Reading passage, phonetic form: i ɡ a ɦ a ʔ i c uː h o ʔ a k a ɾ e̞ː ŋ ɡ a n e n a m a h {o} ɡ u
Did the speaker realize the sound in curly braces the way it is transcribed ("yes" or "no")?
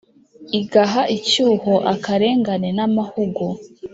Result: no